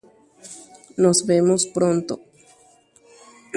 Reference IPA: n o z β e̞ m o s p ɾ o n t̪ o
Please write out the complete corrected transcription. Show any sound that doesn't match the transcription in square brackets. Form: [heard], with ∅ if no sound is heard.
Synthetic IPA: n o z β e̞ m o s p ɾ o n t̪ o

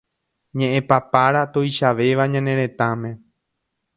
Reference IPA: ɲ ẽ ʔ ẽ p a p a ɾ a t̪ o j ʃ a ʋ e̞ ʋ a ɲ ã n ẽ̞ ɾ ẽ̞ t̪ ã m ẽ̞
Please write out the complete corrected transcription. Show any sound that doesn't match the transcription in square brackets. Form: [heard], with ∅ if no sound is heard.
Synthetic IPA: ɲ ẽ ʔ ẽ p a p a ɾ a t̪ o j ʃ a ʋ e̞ ʋ a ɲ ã n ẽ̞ ɾ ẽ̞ t̪ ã m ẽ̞

